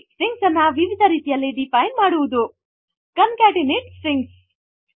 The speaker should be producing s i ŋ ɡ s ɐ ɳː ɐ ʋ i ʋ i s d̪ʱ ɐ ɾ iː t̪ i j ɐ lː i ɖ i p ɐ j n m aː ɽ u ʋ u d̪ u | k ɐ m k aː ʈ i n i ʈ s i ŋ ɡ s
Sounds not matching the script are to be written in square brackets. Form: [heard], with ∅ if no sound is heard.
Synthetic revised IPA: s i ŋ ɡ s ɐ [nː] ɐ ʋ i ʋ i [∅] d̪ʱ ɐ ɾ iː t̪ i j ɐ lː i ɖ i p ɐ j n m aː ɽ u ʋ u d̪ u | k ɐ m k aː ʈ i n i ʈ s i ŋ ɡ s